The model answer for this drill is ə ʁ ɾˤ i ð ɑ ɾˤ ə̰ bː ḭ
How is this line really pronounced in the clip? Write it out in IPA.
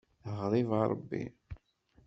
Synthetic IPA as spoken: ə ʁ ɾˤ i v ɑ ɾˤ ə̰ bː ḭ

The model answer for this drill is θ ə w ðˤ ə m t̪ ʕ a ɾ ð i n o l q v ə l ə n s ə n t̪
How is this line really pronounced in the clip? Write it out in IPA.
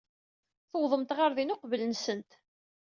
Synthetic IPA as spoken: θ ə w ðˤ ə m t̪ ʁ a ɾ ð i n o q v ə l ə n s ə n t̪

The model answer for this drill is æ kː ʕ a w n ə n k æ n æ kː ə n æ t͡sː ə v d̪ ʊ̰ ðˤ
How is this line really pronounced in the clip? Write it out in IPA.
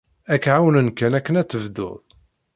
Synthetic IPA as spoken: æ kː ʕ a w n ə n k æ n æ kː ə n æ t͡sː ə v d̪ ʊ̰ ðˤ

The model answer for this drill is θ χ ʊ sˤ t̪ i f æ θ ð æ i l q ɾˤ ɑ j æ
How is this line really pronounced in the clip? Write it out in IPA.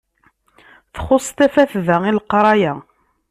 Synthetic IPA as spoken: θ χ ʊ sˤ t̪ æ f æ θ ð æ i l q ɾˤ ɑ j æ

